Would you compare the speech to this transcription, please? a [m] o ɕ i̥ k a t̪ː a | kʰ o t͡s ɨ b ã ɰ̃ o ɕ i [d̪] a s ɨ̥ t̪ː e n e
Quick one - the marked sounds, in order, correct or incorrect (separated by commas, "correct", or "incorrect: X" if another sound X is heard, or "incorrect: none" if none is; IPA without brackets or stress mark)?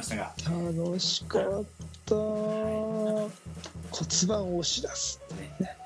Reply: incorrect: n, correct